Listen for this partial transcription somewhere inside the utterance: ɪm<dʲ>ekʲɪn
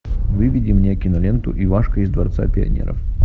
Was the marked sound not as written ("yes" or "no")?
yes